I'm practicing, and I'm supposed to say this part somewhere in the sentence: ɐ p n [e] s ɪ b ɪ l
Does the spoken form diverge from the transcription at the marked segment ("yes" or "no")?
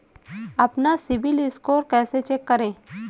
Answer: yes